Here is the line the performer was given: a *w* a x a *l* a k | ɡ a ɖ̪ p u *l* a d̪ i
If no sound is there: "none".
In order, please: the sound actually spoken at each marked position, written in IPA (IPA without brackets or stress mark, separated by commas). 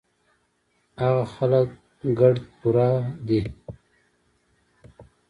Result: ɣ, l, ɾ